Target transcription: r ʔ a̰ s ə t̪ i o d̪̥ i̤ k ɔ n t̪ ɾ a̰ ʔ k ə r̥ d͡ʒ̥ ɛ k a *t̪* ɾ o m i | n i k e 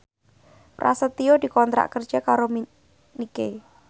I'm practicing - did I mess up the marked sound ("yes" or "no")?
yes